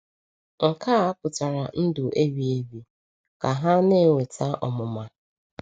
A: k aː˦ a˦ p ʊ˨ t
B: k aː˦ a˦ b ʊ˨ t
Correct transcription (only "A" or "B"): A